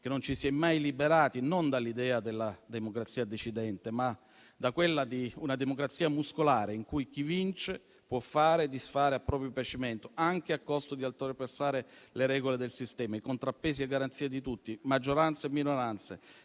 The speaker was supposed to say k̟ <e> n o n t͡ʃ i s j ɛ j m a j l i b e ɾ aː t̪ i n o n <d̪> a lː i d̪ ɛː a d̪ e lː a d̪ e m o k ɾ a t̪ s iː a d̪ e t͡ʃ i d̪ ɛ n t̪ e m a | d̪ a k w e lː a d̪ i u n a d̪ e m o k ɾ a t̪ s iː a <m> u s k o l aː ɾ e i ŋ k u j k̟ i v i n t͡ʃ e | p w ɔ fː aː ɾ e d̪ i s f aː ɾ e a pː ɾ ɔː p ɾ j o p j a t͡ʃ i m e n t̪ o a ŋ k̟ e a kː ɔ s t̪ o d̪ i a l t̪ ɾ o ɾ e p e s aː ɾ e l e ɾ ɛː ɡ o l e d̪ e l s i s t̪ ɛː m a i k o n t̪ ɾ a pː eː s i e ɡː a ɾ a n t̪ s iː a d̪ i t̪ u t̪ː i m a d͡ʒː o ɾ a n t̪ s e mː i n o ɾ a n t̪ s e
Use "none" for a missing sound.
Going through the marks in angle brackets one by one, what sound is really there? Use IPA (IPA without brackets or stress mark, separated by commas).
e, d̪, m